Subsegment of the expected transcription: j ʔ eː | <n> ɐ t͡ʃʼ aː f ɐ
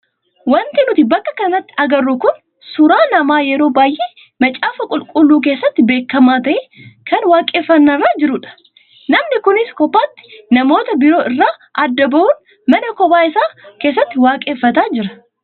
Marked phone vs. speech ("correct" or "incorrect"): incorrect